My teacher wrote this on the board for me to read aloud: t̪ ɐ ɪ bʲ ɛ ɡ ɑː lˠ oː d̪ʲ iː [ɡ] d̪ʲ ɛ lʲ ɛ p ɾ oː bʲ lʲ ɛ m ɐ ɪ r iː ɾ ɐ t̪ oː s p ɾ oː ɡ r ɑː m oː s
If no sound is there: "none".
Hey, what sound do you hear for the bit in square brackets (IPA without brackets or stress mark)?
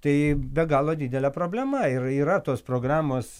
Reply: none